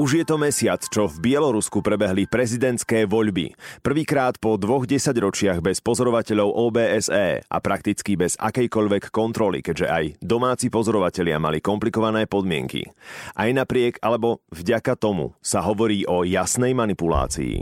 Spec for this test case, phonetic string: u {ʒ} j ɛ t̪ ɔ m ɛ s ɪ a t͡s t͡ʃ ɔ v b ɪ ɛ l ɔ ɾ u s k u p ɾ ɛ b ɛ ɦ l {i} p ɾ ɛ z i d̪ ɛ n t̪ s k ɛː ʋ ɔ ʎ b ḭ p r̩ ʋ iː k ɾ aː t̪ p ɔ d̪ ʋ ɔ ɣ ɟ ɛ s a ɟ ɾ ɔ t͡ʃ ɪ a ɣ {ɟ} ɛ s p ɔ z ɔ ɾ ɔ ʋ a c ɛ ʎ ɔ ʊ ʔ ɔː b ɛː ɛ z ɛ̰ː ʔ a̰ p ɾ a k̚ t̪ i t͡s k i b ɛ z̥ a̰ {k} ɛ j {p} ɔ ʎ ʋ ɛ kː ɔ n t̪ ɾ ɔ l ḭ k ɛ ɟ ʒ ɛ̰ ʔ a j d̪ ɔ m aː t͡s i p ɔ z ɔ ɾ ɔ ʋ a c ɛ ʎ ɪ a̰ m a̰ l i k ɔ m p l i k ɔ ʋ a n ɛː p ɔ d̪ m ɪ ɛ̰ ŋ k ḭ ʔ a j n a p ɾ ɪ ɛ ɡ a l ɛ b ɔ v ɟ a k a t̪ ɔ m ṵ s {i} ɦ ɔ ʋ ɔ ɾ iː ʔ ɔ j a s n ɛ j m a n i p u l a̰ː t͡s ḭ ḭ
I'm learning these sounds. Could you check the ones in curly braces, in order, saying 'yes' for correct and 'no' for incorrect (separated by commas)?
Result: yes, yes, no, yes, no, no